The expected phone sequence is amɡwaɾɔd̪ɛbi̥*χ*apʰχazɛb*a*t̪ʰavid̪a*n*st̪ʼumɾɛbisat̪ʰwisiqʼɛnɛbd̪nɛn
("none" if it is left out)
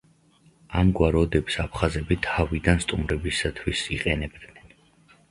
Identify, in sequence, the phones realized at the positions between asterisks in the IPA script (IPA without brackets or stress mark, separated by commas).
s, i, n